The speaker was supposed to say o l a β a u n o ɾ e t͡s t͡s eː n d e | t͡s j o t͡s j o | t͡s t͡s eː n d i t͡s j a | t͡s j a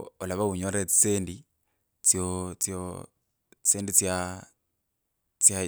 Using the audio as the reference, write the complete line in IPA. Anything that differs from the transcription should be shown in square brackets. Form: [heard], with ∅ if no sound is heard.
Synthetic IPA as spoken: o l a β a u [ɲ] o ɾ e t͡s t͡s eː n d [i] | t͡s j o t͡s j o | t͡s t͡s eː n d i t͡s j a | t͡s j a